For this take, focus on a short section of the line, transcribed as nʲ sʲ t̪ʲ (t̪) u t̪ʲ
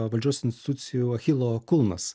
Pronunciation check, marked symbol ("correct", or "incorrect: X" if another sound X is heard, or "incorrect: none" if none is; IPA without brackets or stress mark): correct